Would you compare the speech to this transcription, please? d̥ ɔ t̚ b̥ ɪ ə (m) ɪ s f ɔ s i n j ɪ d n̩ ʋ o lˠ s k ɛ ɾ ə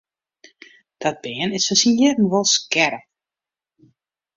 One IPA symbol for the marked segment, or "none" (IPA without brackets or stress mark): n